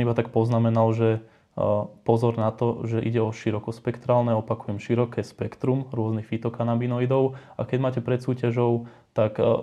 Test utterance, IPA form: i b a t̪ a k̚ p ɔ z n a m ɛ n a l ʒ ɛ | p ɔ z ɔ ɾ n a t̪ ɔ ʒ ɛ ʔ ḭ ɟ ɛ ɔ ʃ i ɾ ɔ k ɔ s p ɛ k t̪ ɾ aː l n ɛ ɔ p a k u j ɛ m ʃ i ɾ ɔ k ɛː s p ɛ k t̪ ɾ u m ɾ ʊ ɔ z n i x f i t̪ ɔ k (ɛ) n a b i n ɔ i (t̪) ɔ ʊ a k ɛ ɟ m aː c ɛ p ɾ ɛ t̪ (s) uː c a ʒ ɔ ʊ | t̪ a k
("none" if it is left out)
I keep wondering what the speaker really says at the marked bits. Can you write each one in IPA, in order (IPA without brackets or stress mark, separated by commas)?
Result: a, d̪, s